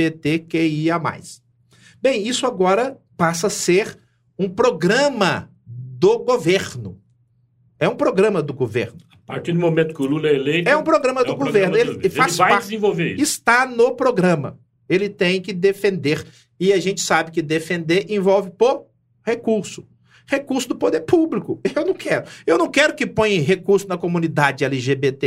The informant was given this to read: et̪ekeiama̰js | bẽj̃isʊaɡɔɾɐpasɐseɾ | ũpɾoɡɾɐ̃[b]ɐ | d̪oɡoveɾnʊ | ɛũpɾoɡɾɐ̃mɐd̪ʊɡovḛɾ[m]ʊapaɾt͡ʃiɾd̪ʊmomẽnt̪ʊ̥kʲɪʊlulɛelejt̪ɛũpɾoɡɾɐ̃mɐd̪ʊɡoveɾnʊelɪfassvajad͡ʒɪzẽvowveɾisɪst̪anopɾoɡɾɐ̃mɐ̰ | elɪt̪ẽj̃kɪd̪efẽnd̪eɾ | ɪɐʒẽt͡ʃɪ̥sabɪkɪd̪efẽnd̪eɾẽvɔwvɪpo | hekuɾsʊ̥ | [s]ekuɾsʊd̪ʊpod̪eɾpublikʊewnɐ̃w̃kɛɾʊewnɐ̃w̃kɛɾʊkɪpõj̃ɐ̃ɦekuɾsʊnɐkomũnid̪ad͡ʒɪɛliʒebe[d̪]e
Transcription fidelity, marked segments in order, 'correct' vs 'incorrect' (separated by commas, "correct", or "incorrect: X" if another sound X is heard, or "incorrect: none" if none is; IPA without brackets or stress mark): incorrect: m, incorrect: n, incorrect: h, incorrect: t̪